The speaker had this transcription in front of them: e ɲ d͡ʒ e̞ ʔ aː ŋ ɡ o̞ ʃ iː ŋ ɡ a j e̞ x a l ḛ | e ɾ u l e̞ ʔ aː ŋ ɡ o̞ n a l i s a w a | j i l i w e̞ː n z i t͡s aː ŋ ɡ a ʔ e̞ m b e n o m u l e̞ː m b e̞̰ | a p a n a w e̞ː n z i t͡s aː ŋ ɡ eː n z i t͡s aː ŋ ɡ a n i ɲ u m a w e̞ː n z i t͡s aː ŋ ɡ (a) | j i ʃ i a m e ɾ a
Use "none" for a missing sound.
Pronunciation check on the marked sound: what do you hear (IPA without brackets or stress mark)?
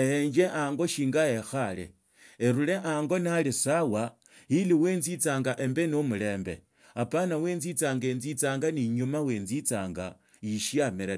a